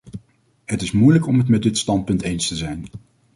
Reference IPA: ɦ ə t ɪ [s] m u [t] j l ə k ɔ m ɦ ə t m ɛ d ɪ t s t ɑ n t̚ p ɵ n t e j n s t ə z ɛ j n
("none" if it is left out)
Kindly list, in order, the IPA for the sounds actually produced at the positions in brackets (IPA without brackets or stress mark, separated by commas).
s, none